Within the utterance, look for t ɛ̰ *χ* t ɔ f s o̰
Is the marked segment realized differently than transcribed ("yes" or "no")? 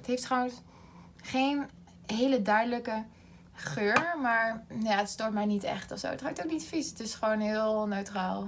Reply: no